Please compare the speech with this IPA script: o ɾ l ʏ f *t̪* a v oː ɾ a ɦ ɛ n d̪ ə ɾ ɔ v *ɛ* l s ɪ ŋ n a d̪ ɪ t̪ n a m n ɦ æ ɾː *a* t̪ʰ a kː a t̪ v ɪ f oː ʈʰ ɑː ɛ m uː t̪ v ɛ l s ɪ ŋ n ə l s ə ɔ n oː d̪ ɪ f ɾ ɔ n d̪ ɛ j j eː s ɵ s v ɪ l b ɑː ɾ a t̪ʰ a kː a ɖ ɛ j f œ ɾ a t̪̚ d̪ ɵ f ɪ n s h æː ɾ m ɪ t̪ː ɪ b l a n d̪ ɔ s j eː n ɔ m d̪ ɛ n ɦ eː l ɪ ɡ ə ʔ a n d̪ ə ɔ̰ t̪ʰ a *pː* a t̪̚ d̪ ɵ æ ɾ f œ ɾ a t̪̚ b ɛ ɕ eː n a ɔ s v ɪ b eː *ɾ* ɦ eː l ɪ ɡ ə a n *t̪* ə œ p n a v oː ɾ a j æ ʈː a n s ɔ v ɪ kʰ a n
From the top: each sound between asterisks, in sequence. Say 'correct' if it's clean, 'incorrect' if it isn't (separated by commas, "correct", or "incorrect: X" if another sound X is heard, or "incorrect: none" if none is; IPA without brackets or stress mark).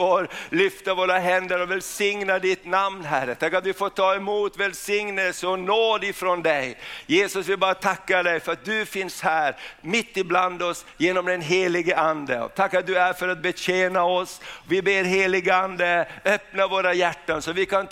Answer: correct, correct, incorrect: ə, incorrect: kː, correct, incorrect: d̪